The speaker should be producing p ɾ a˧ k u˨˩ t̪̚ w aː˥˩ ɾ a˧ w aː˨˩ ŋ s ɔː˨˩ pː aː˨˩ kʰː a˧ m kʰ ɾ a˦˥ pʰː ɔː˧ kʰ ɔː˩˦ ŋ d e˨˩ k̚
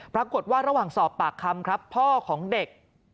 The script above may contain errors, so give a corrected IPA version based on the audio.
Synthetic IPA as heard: p ɾ a˧ k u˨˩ t̪̚ w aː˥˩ ɾ a˧ w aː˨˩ ŋ s ɔː˨˩ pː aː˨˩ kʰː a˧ m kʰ ɾ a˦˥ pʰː ɔː˥˩ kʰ ɔː˩˦ ŋ d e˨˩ k̚